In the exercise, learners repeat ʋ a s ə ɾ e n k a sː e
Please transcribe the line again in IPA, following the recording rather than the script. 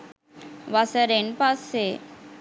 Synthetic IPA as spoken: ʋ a s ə ɾ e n p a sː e